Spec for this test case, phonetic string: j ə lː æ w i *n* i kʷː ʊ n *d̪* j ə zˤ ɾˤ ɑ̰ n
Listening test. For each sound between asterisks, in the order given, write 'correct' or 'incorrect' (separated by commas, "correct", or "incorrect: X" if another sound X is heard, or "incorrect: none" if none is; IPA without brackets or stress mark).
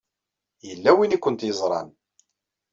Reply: correct, incorrect: t̪